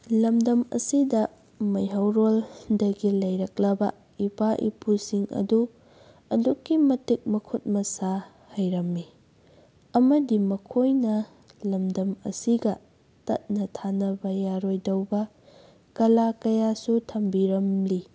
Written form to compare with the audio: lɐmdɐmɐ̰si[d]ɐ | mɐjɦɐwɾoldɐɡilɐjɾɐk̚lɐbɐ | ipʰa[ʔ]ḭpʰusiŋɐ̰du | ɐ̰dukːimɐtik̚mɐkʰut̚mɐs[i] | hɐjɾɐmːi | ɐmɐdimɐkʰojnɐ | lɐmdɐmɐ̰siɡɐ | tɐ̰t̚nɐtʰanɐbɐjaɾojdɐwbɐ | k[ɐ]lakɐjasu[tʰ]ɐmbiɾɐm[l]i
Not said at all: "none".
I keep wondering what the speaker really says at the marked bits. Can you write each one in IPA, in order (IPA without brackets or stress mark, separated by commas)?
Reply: d, ʔ, a, ɐ, tʰ, l